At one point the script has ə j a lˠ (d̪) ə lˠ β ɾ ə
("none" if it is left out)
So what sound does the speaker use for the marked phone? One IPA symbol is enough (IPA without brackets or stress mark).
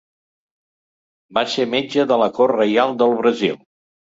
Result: d̪